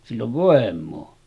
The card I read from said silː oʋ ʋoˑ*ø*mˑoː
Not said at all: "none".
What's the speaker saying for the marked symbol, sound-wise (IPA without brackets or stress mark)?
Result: e